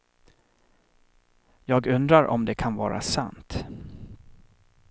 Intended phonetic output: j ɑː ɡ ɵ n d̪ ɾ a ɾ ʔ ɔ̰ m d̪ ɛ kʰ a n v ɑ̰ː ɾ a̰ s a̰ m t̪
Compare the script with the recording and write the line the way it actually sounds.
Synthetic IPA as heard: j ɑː ɡ ɵ n d̪ ɾ a ɾ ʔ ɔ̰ m d̪ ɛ kʰ a n v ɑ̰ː ɾ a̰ s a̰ n t̪